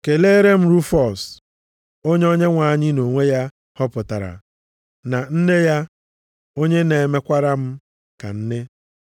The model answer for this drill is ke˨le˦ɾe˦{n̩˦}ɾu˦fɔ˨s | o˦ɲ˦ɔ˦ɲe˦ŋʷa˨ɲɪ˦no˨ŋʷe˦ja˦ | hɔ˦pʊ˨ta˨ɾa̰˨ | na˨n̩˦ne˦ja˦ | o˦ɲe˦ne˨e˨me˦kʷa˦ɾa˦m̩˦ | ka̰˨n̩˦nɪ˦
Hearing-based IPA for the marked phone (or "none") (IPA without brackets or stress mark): m̩˦